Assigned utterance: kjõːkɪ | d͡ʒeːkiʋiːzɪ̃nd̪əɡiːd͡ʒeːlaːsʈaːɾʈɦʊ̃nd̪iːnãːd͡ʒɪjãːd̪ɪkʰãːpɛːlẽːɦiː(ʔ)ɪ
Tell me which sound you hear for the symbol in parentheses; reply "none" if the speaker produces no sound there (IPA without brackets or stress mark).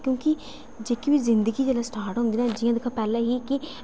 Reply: k